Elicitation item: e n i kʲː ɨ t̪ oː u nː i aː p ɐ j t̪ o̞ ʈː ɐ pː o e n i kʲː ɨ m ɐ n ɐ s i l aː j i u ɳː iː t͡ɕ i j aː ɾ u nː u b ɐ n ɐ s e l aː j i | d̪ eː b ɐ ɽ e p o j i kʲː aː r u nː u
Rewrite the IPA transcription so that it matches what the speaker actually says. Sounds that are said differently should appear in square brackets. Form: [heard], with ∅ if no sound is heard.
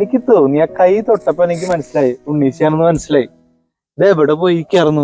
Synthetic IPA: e n i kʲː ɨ t̪ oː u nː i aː [k] ɐ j t̪ o̞ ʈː ɐ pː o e n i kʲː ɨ m ɐ n ɐ s i l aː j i u ɳː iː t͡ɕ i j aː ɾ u nː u [m] ɐ n ɐ s [i] l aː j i | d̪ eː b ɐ ɽ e p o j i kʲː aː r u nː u